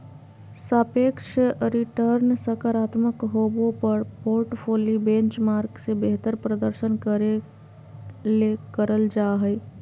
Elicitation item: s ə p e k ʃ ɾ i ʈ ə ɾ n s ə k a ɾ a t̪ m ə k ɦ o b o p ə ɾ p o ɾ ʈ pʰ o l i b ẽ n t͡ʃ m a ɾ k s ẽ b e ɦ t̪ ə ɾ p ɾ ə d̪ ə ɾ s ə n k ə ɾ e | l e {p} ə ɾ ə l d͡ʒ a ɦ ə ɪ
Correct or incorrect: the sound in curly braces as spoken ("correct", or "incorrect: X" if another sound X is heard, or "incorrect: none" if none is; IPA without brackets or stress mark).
incorrect: k